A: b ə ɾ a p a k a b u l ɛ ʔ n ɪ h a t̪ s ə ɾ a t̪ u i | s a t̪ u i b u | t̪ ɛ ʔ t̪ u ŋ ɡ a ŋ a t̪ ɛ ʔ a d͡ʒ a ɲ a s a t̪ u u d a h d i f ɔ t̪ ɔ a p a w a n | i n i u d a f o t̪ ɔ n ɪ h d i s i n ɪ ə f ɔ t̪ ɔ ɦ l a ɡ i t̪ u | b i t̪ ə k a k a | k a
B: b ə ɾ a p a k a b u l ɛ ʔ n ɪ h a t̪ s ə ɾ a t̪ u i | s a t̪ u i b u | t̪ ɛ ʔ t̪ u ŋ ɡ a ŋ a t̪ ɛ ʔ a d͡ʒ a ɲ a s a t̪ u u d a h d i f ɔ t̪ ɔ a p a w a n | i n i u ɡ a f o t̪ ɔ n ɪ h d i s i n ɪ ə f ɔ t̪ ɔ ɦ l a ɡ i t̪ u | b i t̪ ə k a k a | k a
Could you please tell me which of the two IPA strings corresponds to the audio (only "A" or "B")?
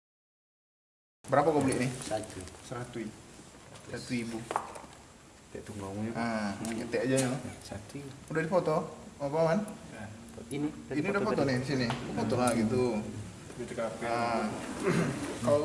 A